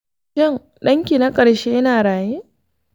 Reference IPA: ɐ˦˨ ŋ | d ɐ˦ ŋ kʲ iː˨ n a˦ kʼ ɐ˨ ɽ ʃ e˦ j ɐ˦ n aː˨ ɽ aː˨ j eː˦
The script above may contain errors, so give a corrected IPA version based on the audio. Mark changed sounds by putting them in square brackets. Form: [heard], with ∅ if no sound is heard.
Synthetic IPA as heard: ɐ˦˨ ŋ | [ɗ] ɐ˦ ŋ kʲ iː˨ n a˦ kʼ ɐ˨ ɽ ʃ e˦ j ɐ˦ n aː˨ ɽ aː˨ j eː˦